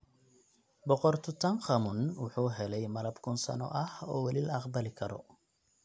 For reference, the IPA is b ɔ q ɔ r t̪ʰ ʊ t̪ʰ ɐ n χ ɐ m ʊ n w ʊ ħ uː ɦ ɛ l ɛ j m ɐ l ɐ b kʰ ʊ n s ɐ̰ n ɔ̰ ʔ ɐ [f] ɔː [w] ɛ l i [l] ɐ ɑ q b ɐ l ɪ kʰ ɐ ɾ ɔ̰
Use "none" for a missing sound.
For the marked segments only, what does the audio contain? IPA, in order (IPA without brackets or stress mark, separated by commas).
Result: h, w, l